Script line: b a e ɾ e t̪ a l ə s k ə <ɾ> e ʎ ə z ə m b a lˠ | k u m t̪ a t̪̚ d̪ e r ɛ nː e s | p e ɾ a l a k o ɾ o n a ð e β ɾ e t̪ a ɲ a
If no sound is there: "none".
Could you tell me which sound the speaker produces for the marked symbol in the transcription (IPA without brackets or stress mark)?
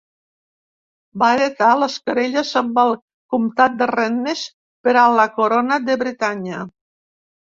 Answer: ɾ